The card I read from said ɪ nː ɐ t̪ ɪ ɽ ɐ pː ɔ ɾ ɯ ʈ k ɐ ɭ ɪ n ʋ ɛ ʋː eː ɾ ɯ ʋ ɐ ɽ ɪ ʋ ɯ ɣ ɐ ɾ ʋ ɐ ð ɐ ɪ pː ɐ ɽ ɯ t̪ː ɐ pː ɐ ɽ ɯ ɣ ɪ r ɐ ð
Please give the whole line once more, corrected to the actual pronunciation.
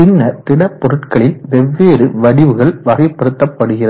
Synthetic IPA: ɪ nː ɐ t̪ ɪ ɽ ɐ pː ɔ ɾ ɯ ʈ k ɐ ɭ ɪ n ʋ ɛ ʋː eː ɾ ɯ ʋ ɐ ɽ ɪ ʋ ɯ ɣ ɐ ɭ ʋ ɐ ɣ ɐ ɪ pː ɐ ɽ ɯ t̪ː ɐ pː ɐ ɽ ɯ ɣ ɪ r ɐ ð